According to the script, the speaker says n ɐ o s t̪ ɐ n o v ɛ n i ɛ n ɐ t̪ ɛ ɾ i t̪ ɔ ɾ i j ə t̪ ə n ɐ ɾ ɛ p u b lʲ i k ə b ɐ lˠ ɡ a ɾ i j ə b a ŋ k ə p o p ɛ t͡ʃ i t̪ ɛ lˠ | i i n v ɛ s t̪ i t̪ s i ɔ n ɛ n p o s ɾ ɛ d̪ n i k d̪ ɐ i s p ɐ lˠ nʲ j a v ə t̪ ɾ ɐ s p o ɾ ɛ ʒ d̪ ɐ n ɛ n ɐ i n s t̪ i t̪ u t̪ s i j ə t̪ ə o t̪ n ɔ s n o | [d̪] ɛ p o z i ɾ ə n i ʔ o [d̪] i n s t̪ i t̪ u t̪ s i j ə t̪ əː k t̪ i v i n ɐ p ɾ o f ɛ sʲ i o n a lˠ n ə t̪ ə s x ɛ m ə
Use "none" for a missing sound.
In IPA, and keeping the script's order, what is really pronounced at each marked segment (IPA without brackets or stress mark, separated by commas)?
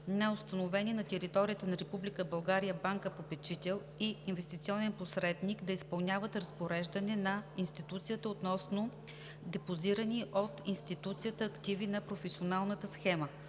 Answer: d̪, t̪